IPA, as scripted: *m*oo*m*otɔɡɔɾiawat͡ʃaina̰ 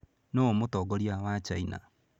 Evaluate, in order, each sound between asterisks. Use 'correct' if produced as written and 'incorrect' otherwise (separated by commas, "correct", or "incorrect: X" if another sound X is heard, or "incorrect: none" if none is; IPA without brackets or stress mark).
incorrect: n, correct